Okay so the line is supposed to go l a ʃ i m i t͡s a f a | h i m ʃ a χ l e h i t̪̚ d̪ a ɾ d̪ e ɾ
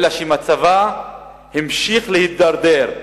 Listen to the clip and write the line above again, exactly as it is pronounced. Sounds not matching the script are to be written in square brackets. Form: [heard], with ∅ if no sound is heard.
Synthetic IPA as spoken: l a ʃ i m [a] t͡s a [v] a | h i m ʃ [i] χ l e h i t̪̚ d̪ a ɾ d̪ e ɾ